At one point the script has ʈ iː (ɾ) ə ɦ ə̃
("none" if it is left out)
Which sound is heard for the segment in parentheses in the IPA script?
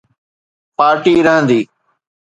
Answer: ɾ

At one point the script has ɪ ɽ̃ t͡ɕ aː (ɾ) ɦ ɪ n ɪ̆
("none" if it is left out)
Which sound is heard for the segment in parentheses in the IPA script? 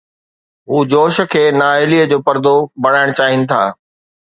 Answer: none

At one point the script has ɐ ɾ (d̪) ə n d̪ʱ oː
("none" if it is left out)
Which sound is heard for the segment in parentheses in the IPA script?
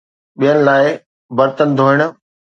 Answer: t̪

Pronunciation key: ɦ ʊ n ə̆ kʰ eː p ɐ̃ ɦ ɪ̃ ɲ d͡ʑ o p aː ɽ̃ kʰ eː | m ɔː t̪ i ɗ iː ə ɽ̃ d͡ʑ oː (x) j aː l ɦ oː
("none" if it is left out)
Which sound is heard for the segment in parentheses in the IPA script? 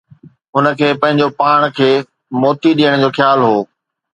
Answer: x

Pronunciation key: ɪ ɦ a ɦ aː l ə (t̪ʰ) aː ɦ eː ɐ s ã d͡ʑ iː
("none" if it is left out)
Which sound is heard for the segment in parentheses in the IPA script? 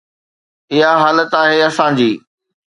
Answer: t̪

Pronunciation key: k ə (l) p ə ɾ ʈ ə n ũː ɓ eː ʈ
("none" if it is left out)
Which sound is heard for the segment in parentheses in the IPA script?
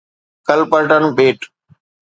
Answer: l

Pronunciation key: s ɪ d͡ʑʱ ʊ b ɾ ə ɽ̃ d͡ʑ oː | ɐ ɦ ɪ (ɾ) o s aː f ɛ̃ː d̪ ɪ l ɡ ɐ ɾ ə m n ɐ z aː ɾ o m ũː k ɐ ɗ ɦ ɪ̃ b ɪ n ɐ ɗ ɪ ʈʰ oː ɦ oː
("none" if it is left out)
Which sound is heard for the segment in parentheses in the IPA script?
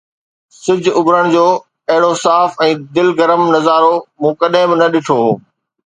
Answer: ɽ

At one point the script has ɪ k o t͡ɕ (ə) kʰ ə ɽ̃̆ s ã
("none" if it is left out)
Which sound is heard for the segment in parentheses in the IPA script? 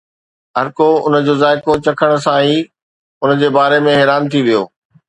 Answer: ɐ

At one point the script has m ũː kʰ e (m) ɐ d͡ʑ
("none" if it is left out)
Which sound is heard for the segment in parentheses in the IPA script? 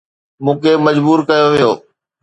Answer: m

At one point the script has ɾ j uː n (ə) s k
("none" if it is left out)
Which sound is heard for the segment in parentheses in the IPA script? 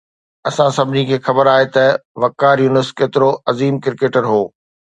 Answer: ə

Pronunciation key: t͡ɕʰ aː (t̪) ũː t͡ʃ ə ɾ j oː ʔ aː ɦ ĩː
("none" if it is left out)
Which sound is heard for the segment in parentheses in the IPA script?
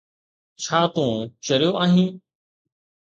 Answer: t̪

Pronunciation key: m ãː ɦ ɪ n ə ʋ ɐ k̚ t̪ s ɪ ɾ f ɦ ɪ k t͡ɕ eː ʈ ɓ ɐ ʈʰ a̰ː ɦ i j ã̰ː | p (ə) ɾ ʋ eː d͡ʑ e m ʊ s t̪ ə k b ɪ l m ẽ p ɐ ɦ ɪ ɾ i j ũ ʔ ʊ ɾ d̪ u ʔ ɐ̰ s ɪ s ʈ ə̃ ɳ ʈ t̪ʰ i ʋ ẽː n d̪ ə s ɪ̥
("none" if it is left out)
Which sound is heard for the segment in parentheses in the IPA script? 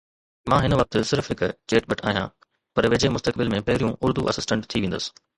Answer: ɐ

